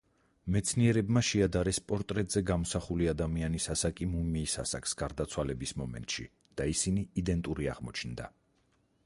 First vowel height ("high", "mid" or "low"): mid